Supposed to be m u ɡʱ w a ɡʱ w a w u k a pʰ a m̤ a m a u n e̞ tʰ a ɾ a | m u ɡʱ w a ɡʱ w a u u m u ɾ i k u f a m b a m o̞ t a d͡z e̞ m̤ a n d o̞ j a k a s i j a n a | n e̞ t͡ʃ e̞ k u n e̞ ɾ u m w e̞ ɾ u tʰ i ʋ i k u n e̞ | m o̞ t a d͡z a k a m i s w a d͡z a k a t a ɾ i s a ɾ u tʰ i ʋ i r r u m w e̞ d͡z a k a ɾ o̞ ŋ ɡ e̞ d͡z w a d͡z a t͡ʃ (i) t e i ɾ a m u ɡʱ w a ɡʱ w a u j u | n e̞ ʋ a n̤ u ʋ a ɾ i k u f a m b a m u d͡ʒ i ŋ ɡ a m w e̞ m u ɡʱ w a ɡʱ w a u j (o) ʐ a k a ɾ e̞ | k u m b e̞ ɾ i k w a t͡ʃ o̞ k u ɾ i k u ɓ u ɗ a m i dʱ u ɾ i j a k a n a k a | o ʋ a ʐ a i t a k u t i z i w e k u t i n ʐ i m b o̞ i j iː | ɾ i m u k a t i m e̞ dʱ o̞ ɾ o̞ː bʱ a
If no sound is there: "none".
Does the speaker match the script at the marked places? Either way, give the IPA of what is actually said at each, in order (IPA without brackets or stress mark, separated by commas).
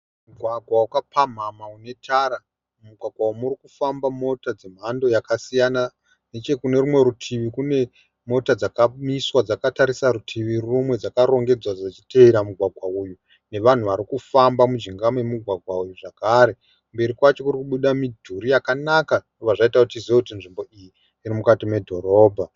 i, u